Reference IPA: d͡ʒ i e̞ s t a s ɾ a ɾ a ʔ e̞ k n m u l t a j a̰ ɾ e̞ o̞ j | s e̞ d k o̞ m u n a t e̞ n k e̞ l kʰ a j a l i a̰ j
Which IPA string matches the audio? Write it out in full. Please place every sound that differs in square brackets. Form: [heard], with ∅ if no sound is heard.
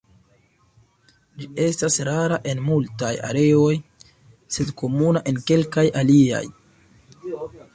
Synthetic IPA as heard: d͡ʒ i e̞ s t a s ɾ a ɾ a ʔ e̞ [∅] n m u l t a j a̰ ɾ e̞ o̞ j | s e̞ d k o̞ m u n a [ʔ] e̞ n k e̞ l [k] a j a l i a̰ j